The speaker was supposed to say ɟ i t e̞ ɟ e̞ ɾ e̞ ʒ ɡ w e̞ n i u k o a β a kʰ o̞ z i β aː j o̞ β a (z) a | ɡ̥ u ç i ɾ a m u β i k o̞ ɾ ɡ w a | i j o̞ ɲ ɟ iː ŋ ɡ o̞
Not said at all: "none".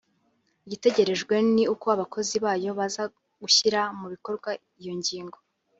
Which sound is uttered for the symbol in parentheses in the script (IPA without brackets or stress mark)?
z